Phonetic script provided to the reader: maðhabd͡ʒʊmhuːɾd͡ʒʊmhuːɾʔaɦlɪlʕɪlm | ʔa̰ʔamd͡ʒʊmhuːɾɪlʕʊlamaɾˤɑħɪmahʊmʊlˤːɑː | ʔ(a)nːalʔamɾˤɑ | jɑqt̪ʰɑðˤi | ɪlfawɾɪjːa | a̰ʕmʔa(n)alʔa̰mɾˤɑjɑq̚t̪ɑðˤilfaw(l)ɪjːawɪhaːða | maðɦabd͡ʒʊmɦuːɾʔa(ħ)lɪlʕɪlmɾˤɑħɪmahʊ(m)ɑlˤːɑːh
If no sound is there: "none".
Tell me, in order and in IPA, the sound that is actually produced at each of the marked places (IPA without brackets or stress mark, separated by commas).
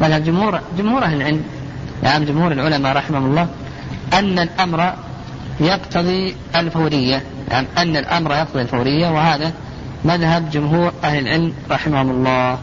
a, nː, ɾ, h, m